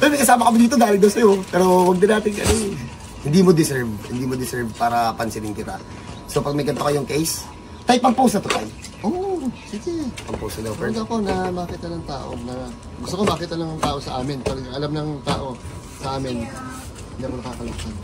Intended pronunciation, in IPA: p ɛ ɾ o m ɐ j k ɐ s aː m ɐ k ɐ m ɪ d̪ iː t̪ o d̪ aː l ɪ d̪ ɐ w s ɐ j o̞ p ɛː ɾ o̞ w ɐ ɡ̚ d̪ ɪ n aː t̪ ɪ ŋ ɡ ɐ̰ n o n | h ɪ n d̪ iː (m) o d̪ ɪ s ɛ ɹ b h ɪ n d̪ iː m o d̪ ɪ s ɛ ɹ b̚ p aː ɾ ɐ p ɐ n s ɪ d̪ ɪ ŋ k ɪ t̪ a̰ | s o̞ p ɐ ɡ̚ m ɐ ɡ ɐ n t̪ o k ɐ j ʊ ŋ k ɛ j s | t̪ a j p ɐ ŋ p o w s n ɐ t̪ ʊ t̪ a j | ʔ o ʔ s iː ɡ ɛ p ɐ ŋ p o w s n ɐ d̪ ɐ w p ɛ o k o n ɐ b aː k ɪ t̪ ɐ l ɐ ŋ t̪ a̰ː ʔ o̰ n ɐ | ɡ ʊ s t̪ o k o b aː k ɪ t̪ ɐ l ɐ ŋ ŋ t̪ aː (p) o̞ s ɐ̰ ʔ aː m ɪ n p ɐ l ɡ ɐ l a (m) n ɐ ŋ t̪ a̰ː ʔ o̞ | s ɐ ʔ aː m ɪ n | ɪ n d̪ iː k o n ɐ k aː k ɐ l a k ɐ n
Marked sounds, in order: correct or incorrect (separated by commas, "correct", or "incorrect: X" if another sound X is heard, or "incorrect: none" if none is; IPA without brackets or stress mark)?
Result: correct, incorrect: ʔ, correct